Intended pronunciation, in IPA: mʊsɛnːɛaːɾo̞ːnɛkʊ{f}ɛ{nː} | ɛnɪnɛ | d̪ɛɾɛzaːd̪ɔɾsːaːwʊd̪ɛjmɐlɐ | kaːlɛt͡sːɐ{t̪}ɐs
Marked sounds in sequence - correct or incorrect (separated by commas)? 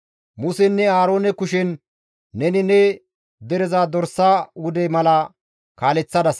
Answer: incorrect, correct, incorrect